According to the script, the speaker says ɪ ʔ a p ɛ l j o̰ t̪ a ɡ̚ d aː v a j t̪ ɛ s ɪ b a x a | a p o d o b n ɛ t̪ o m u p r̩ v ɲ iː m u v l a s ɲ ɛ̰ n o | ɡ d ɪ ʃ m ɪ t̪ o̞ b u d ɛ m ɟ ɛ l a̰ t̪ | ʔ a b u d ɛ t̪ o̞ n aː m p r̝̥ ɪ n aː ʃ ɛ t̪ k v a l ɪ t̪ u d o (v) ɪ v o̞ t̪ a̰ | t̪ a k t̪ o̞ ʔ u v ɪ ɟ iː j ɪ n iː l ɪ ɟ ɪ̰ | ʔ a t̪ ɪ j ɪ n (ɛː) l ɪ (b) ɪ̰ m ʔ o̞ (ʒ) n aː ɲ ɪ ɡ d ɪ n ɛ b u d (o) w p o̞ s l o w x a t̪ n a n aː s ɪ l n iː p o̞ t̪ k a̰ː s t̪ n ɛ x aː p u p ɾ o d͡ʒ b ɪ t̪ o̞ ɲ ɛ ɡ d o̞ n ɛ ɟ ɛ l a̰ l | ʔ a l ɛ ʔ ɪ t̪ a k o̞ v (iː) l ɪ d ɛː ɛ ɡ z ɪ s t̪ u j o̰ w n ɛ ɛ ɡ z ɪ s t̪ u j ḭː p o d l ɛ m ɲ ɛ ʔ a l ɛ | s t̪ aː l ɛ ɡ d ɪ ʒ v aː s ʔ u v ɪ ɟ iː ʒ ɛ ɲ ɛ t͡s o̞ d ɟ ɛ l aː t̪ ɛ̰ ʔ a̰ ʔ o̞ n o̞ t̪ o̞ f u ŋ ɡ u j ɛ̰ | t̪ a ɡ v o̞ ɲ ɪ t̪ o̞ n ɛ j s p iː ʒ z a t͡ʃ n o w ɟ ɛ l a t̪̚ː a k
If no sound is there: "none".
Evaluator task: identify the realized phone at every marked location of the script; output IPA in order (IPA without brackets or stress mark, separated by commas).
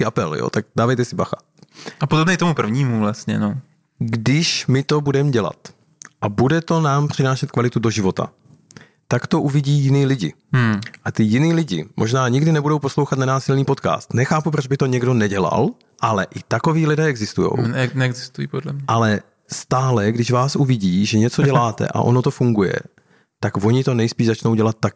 ʒ, iː, ɟ, ʒ, o, iː